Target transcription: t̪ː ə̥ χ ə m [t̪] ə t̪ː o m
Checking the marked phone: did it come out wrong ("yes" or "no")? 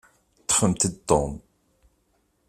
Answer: no